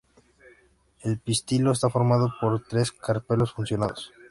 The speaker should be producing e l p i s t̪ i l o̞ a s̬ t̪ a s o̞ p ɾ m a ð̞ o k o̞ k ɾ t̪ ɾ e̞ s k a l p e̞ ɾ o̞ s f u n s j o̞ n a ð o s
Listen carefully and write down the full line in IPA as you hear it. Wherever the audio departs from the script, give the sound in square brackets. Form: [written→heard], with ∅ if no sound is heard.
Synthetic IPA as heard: e l p i s t̪ i l o̞ [a→e] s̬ t̪ a [s→f] o̞ [p→∅] ɾ m a ð̞ o [k→p] o̞ [k→∅] ɾ t̪ ɾ e̞ s k a [l→ɾ] p e̞ [ɾ→l] o̞ s f u n s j o̞ n a ð o s